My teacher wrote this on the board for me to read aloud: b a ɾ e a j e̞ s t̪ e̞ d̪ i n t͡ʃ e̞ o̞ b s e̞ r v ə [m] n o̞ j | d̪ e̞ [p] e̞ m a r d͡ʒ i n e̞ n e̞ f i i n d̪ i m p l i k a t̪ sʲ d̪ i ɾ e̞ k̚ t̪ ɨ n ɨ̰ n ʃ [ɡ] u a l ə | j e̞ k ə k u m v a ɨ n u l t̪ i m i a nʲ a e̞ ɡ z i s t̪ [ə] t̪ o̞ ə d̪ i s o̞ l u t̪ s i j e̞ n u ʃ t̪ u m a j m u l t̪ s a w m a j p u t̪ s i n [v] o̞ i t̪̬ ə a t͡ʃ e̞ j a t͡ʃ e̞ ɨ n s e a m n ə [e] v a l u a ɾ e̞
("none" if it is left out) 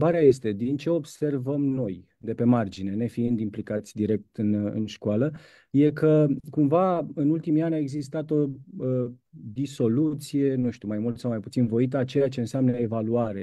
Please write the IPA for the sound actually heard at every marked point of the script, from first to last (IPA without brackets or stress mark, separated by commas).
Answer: m, p, k, a, v, e